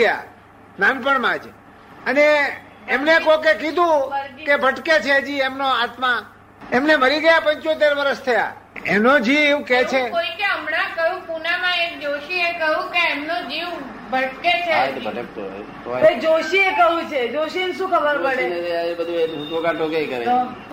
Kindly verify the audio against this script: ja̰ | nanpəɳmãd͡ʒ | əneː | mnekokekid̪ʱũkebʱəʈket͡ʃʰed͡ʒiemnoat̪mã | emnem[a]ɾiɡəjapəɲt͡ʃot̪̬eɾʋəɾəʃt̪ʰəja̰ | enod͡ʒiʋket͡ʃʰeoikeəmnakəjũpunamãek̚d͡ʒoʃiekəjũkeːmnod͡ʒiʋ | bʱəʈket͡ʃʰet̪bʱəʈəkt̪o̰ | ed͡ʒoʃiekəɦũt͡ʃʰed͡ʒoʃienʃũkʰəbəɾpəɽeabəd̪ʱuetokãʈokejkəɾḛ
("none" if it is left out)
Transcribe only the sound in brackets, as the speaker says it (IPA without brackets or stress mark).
ə